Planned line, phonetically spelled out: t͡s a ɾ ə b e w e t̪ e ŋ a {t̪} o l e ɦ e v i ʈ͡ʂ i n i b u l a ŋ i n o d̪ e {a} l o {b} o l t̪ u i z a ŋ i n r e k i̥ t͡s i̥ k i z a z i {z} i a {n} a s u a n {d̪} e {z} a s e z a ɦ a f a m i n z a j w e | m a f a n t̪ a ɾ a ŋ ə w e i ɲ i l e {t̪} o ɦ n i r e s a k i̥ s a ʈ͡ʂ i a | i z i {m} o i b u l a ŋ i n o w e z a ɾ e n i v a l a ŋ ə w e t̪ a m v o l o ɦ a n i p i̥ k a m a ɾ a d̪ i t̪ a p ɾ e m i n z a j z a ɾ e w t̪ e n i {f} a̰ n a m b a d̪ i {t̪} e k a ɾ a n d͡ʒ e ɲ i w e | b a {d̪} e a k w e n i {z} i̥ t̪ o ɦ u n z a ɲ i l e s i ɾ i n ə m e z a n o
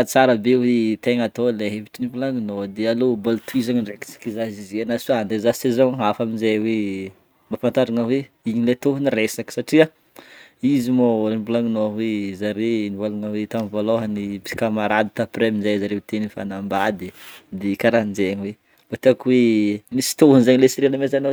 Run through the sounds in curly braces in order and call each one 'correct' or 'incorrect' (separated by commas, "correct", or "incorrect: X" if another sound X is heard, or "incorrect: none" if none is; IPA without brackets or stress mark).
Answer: correct, correct, correct, correct, correct, correct, correct, correct, correct, correct, incorrect: d̪, incorrect: t̪, incorrect: s